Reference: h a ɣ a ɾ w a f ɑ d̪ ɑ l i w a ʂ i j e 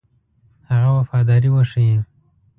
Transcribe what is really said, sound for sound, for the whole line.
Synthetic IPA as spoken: h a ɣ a w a f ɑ d̪ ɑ ɾ i w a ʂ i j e